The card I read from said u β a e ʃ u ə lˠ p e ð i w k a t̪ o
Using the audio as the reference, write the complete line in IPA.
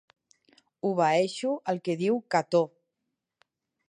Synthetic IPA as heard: u β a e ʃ u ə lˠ k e ð i w k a t̪ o